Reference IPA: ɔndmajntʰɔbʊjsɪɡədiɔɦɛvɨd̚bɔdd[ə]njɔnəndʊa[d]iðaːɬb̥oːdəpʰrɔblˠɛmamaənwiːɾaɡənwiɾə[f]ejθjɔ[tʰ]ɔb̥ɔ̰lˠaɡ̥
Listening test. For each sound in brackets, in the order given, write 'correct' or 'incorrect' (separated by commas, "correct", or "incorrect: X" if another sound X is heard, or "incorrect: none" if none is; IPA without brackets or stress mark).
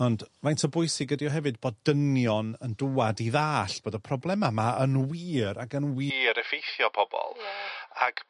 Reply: correct, correct, correct, incorrect: pʰ